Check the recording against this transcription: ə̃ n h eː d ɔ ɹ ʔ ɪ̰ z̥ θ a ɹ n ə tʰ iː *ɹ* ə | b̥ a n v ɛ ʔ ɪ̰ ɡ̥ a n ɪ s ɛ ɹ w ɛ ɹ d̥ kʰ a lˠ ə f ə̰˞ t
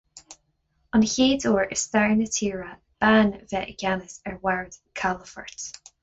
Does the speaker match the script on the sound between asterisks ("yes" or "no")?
yes